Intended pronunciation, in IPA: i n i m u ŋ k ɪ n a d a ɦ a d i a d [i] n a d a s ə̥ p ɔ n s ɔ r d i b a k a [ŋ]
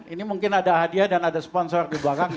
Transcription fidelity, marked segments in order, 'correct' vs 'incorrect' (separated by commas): incorrect, correct